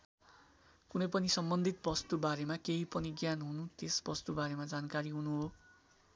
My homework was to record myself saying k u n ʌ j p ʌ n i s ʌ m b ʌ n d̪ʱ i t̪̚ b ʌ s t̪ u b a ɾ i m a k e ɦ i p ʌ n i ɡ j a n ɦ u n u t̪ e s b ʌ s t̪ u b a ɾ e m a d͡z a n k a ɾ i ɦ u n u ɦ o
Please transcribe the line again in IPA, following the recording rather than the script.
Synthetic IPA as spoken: k u n ʌ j p ʌ n i s ʌ m b ʌ n d̪ʱ i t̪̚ b ʌ s t̪ u b a ɾ e m a k e ɦ i p ʌ n i ɡ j a n ɦ u n u t̪ e s b ʌ s t̪ u b a ɾ e m a d͡z a n k a ɾ i ɦ u n u ɦ o